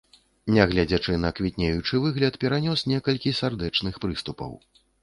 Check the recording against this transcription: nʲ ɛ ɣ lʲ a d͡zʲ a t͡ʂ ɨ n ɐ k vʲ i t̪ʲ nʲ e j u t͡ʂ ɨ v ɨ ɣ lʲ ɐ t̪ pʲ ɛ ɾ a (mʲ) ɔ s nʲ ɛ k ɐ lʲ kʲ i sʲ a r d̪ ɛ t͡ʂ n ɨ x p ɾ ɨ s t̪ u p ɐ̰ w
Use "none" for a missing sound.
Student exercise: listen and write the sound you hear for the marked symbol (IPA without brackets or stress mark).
nʲ